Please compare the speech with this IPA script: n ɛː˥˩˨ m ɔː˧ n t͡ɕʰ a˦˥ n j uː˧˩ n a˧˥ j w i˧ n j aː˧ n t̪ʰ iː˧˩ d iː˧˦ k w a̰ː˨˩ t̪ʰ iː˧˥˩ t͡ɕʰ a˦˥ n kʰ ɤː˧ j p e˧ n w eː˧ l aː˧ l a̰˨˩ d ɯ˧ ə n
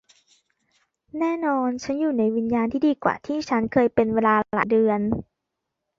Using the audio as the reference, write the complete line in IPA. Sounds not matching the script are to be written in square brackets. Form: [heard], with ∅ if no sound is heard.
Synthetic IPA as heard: n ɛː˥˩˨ [n] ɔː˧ n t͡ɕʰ a˦˥ n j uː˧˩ n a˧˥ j w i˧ n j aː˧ n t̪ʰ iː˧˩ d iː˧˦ k w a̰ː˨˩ t̪ʰ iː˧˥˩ t͡ɕʰ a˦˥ n kʰ ɤː˧ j p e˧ n w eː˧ l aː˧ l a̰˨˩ d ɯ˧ ə n